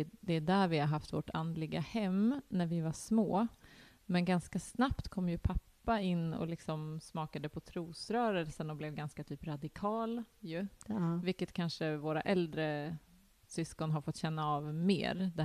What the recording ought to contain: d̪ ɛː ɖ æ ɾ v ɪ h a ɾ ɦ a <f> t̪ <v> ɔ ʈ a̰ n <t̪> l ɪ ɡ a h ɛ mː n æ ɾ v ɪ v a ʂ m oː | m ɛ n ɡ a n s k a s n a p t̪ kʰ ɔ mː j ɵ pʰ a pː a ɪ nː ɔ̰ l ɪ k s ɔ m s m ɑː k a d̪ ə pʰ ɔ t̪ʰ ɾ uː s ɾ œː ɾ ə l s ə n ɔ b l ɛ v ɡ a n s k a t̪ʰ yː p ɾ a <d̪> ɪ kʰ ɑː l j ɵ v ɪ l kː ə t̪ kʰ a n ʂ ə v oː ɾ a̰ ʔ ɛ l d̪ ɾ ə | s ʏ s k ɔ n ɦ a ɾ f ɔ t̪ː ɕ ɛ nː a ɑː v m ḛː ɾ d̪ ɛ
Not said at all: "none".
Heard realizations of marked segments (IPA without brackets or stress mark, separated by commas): f, v, d̪, d̪